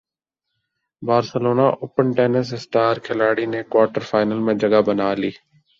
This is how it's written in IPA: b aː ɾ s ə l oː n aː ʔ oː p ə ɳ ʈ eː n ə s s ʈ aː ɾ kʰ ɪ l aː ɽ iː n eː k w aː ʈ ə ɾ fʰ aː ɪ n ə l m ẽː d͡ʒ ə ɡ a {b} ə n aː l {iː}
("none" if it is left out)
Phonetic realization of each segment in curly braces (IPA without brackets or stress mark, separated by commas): b, iː